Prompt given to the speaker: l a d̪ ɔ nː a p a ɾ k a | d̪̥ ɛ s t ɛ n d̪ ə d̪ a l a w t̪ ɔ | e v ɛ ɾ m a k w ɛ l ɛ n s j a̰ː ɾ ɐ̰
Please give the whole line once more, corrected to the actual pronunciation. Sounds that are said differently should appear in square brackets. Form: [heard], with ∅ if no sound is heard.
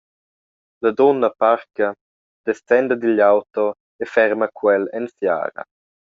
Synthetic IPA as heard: l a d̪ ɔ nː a p a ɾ k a | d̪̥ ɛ s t ɛ n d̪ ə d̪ [i] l a w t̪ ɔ | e [f] ɛ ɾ m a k w ɛ l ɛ n s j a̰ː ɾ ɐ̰